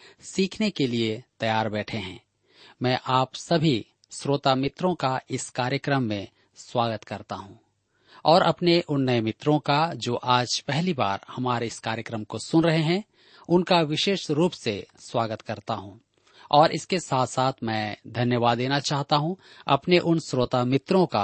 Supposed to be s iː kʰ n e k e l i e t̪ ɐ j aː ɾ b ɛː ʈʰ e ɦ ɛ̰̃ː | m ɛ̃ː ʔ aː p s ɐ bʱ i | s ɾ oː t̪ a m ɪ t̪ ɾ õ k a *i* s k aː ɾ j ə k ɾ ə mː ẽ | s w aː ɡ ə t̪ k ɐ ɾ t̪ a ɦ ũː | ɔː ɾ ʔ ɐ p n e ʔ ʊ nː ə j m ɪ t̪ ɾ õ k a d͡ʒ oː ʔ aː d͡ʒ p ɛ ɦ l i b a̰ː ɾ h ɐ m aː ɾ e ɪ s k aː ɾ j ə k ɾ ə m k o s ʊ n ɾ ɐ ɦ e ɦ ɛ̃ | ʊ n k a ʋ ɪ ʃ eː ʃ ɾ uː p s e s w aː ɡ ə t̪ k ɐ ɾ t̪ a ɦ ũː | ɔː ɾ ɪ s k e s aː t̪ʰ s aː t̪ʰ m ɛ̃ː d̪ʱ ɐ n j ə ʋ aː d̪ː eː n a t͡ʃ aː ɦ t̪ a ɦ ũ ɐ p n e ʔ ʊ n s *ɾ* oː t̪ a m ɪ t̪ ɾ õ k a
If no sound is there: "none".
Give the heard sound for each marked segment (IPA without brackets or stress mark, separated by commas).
ɪ, ɾ